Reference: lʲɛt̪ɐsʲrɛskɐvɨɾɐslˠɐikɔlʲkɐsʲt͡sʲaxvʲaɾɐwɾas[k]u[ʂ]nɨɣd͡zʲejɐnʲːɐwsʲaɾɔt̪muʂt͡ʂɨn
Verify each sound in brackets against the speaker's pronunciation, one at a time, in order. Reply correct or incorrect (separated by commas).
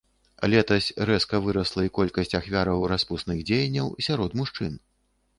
incorrect, incorrect